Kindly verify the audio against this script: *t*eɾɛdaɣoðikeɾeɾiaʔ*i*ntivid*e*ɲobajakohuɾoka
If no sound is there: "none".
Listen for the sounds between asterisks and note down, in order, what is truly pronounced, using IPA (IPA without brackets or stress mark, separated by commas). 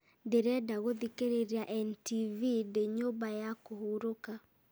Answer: d, ɛ, e